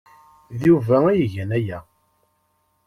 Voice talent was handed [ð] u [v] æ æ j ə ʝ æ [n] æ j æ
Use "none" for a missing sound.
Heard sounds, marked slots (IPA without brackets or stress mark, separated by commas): ð, v, n